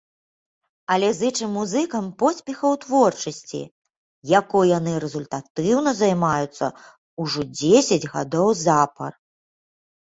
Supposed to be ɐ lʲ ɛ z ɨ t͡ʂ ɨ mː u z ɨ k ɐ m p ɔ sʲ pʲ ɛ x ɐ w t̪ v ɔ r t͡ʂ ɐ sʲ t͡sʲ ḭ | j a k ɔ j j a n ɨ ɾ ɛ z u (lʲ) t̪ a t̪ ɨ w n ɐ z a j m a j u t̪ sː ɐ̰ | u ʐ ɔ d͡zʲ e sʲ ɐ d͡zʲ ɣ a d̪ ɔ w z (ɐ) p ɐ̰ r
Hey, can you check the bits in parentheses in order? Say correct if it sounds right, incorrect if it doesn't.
correct, incorrect: a

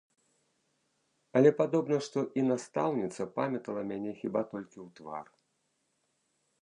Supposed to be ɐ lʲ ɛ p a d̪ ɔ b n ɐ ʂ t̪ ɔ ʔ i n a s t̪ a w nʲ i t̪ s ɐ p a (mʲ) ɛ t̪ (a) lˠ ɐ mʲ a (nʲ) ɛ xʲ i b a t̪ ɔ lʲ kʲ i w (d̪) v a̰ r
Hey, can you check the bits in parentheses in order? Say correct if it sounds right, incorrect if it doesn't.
correct, incorrect: ɐ, correct, incorrect: t̪

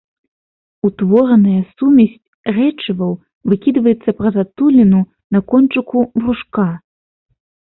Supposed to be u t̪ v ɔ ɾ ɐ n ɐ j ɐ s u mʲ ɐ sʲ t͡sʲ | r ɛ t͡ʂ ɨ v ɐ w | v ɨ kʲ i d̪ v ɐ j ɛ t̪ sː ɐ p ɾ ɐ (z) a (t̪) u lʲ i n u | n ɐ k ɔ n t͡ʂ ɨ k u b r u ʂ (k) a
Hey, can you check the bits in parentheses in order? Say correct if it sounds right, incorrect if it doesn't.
correct, correct, correct

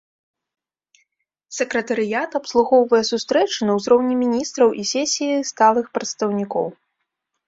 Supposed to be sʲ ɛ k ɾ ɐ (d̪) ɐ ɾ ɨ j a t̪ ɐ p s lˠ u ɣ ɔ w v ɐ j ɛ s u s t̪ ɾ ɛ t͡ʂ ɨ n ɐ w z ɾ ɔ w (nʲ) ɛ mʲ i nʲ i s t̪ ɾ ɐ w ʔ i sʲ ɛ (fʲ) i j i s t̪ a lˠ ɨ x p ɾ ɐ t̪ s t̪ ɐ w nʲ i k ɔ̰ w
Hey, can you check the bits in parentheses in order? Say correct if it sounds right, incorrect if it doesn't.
incorrect: t̪, correct, incorrect: sʲ

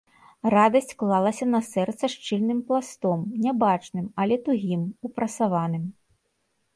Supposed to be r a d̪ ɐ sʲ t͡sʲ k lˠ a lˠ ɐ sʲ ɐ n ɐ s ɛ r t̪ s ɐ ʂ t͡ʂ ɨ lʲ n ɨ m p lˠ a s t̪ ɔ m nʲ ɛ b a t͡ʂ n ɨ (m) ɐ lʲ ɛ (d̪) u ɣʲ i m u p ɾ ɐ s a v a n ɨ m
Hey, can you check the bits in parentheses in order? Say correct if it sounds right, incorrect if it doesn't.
correct, incorrect: t̪

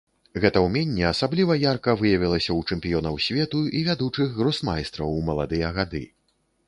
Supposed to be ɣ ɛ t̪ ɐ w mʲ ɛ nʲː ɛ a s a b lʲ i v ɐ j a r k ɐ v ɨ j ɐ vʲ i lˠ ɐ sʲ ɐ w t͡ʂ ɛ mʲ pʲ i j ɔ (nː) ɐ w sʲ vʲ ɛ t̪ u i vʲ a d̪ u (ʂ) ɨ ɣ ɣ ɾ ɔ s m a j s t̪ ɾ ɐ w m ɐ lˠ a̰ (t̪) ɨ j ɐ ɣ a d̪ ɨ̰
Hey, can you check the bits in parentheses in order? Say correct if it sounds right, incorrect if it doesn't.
incorrect: n, incorrect: t͡ʂ, incorrect: d̪

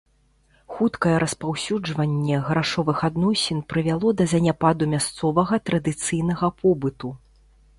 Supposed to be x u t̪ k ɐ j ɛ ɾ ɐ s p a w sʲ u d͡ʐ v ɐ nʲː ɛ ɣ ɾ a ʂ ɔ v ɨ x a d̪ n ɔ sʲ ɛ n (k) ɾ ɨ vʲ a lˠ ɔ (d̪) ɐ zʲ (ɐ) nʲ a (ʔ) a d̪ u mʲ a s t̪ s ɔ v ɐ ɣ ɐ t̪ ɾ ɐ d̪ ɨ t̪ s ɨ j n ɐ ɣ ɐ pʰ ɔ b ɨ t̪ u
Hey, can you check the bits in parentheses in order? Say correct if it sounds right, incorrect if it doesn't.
incorrect: p, correct, correct, incorrect: p

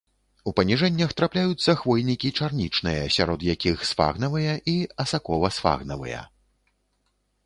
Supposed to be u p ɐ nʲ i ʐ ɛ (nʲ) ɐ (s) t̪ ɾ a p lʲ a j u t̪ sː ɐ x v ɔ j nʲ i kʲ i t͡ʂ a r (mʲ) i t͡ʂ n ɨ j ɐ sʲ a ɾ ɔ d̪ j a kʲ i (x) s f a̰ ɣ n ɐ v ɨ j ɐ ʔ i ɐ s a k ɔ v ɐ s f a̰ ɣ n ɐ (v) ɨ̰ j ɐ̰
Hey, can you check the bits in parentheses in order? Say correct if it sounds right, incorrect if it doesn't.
incorrect: nʲː, incorrect: x, incorrect: nʲ, correct, correct

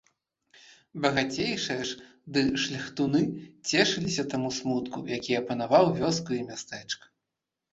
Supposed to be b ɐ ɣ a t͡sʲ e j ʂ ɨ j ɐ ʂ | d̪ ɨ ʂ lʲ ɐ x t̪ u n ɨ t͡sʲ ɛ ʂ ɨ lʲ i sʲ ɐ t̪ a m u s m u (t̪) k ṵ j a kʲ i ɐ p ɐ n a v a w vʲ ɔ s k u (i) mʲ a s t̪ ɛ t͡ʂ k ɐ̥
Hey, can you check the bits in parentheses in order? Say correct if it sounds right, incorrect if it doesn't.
correct, correct

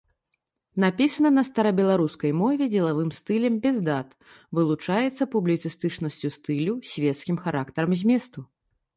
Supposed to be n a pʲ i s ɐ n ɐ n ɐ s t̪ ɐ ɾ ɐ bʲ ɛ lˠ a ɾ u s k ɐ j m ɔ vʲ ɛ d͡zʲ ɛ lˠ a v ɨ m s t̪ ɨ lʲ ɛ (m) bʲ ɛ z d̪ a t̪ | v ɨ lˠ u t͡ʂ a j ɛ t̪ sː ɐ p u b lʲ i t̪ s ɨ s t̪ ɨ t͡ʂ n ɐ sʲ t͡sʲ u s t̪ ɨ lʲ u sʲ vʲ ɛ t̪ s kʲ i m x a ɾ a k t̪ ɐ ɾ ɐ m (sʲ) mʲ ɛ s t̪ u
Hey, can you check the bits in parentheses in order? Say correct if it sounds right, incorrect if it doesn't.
correct, incorrect: zʲ

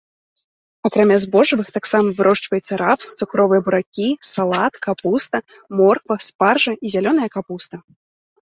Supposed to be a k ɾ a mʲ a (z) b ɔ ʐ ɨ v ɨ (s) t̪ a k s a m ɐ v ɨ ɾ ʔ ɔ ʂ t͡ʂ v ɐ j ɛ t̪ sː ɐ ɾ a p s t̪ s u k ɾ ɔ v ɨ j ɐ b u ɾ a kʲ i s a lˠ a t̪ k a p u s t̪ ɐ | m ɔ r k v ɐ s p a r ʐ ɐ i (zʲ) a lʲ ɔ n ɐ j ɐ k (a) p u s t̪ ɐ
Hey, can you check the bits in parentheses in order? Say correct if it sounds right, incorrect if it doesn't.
correct, incorrect: x, correct, correct

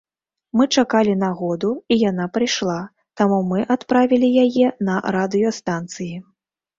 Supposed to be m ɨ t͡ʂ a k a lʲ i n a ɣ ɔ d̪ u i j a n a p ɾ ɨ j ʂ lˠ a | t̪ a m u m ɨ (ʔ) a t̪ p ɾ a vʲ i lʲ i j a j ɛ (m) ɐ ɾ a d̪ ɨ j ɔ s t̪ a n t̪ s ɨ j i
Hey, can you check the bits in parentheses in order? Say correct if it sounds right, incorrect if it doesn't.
correct, incorrect: n

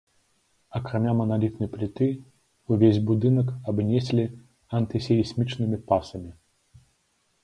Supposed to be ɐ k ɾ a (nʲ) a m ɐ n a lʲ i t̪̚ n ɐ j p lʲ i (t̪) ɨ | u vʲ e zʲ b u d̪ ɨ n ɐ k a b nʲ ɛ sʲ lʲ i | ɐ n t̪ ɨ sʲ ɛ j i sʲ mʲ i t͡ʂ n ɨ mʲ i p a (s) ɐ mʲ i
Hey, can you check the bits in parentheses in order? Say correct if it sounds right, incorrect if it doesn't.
incorrect: mʲ, correct, correct

